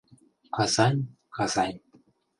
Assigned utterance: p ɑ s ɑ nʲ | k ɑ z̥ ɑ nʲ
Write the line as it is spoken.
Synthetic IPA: k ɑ z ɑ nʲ | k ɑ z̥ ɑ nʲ